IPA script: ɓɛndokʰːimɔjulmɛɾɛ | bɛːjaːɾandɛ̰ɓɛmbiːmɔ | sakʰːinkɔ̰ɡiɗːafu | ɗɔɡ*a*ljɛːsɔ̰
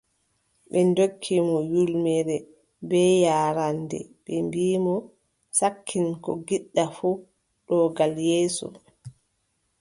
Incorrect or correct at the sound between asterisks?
correct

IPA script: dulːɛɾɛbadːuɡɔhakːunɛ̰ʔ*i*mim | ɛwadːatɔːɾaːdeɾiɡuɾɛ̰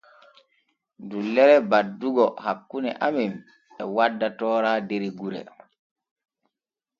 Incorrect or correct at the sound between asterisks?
incorrect: a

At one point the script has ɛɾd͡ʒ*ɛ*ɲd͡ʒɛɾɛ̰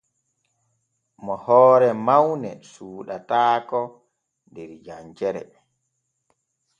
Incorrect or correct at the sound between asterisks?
incorrect: a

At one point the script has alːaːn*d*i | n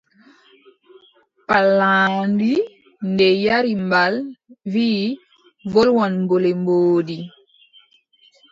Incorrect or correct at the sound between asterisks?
correct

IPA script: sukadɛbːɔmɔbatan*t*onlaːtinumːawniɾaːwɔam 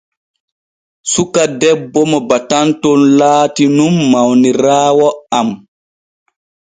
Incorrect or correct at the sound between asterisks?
correct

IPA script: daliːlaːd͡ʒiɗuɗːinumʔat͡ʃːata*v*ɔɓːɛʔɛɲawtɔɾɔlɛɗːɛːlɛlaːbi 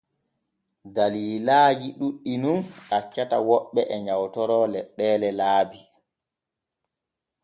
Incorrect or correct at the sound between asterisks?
incorrect: w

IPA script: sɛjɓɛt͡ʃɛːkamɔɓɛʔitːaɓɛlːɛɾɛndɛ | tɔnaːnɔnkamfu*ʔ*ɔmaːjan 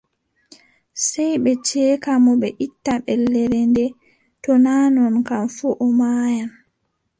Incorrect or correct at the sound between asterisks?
correct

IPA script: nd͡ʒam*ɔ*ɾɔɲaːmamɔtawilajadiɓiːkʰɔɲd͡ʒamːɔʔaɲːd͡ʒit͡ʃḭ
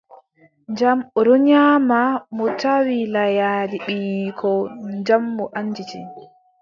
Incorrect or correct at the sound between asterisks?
correct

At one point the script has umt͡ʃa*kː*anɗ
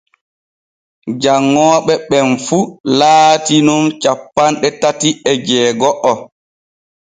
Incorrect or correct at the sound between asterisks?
incorrect: pː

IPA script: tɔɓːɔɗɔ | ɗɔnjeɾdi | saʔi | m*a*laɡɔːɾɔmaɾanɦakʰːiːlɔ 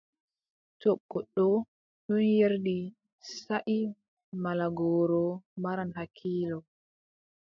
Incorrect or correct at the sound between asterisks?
correct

